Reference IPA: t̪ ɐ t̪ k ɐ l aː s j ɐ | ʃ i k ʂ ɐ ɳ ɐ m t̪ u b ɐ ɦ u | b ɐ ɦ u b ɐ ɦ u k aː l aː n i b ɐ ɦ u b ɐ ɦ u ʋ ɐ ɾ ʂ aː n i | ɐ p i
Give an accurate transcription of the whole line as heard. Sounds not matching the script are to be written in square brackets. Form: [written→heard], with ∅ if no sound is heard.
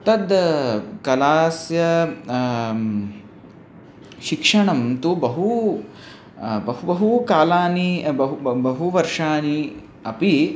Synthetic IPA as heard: t̪ ɐ [t̪→d̪] k ɐ l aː s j ɐ | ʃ i k ʂ ɐ ɳ ɐ m t̪ u b ɐ ɦ u | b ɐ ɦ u b ɐ ɦ u k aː l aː n i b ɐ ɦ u b ɐ ɦ u ʋ ɐ ɾ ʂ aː n i | ɐ p i